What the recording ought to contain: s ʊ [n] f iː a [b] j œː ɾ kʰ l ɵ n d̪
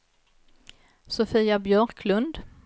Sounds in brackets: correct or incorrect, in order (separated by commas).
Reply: incorrect, correct